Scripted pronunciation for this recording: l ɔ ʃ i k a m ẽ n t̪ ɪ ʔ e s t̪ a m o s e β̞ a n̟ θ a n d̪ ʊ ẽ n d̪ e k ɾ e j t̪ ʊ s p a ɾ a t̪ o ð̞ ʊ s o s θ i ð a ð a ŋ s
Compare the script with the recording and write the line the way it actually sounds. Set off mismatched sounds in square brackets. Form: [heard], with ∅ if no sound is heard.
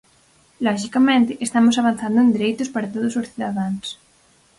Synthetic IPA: l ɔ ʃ i k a m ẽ n t̪ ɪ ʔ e s t̪ a m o s [a] β̞ a n̟ θ a n d̪ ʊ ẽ n d̪ e [∅] ɾ e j t̪ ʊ s p a ɾ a t̪ o ð̞ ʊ s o s θ i ð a ð a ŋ s